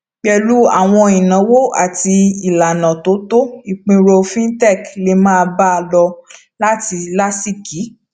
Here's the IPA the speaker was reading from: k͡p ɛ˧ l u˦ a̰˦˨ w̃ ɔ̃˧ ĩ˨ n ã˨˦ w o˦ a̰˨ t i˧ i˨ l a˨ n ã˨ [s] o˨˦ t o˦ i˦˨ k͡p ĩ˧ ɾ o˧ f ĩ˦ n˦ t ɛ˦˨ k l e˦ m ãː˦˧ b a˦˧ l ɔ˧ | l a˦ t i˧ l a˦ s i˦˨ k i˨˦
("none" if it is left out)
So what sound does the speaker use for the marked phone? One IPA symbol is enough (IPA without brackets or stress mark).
t